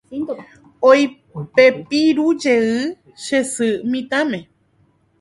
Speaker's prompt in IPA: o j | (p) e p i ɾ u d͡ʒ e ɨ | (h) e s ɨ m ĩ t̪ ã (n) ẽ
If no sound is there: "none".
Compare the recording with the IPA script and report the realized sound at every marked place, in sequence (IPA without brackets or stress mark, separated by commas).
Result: p, ʃ, m